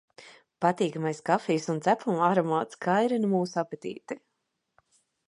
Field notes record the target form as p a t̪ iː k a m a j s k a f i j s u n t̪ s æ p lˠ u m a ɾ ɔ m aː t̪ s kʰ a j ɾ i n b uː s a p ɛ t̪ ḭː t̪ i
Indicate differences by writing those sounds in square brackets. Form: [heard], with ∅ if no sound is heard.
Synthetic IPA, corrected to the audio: p a t̪ iː k a m a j s k a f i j s u n t̪ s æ p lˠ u m a ɾ ɔ m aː t̪ s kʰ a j ɾ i n [m] uː s a p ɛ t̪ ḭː t̪ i